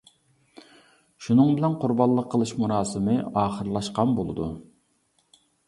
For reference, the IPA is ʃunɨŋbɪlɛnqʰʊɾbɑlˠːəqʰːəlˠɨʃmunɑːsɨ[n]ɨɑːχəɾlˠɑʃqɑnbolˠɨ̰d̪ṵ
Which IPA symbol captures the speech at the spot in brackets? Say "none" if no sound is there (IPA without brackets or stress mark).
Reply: m